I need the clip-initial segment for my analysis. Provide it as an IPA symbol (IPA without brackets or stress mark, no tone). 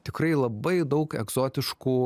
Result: t̪ʲ